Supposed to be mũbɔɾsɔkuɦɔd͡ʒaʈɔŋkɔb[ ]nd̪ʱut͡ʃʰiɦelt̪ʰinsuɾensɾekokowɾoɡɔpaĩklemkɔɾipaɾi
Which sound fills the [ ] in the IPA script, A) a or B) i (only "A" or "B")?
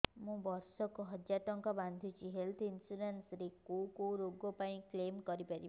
A